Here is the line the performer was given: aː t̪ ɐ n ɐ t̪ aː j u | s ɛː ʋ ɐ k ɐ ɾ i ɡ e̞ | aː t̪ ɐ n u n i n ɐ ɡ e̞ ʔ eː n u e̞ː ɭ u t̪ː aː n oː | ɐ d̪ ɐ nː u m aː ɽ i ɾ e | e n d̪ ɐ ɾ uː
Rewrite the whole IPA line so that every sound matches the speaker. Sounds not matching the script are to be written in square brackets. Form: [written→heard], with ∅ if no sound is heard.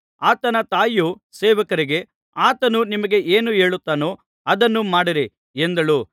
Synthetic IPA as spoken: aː t̪ ɐ n ɐ t̪ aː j u | s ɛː ʋ ɐ k ɐ ɾ i ɡ e̞ | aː t̪ ɐ n u n i [n→m] ɐ ɡ e̞ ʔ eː n u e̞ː ɭ u t̪ː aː n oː | ɐ d̪ ɐ nː u m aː ɽ i ɾ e | e n d̪ ɐ [ɾ→ɭ] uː